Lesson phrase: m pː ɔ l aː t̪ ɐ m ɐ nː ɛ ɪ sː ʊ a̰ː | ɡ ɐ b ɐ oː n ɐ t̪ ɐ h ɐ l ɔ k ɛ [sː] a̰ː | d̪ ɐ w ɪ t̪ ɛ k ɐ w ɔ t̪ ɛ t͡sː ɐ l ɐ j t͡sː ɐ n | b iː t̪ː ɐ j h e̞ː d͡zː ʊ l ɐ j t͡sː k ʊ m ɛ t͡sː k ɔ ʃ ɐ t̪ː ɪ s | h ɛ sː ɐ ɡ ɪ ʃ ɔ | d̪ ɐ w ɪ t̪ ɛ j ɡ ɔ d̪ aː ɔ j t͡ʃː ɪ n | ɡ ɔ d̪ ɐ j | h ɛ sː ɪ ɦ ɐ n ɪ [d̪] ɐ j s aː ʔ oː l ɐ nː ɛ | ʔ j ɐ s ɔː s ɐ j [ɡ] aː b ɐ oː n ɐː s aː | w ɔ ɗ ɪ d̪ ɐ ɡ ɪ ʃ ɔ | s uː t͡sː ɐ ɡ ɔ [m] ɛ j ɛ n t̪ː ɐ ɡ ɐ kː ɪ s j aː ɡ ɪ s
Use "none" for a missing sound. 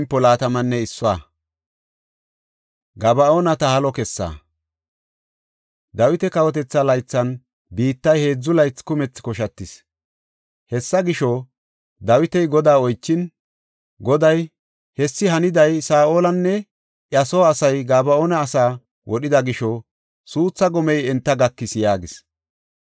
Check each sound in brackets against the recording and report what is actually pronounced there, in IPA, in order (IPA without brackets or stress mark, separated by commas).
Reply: sː, d̪, ɡ, m